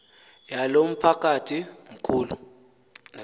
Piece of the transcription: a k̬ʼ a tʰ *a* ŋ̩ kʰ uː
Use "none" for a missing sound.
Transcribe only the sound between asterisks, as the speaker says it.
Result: i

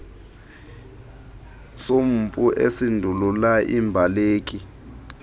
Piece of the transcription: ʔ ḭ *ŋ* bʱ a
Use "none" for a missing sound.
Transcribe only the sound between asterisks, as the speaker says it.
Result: m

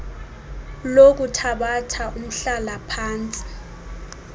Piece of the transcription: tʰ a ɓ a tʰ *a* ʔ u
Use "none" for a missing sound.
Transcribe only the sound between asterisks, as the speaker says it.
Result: a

